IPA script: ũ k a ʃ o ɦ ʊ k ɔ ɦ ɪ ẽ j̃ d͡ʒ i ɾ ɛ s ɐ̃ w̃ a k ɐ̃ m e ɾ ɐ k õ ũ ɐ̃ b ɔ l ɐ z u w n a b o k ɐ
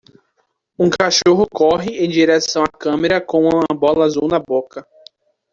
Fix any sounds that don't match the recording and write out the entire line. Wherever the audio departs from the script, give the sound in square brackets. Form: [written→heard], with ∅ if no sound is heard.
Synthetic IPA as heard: ũ k a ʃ o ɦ ʊ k ɔ ɦ ɪ ẽ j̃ d͡ʒ i ɾ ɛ s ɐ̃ w̃ a k ɐ̃ m e ɾ ɐ k õ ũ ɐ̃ b ɔ l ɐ z u w n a b o k ɐ